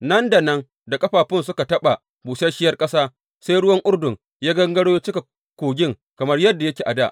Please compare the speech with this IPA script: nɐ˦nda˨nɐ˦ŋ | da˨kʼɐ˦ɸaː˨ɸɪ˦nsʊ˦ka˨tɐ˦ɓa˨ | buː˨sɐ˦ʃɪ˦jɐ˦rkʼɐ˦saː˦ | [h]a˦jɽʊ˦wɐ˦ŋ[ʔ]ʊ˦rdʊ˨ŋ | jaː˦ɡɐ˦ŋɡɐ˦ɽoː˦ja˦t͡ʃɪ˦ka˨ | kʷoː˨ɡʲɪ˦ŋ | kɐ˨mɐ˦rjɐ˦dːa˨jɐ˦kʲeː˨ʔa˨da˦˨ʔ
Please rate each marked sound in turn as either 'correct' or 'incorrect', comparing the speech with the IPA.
incorrect: s, correct

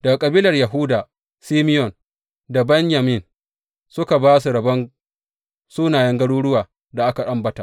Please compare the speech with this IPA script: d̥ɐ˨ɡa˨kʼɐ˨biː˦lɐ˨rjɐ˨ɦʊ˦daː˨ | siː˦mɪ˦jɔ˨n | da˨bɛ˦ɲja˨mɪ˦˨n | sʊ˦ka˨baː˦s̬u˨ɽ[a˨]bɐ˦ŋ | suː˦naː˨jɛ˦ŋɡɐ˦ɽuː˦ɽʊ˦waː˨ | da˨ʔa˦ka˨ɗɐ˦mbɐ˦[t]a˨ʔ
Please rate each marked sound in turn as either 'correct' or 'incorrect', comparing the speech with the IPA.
incorrect: ɐ˨, correct

